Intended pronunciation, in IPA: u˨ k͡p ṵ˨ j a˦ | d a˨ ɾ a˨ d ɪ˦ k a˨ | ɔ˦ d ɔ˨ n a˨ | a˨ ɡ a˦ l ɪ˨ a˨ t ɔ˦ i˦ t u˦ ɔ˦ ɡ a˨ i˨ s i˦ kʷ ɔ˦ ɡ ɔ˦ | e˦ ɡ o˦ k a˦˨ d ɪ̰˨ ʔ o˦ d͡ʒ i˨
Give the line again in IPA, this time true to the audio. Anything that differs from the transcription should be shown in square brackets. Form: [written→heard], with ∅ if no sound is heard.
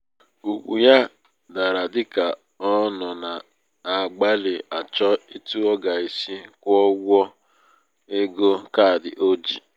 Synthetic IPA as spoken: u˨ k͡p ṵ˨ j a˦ | d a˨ ɾ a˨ d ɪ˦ k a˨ | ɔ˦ [d→n] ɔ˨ n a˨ | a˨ [ɡ→ɡ͡b] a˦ l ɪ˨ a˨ [t→t͡ʃ] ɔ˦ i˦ t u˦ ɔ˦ ɡ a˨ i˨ s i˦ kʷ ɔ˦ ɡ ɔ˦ | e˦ ɡ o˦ k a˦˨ d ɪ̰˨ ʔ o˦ d͡ʒ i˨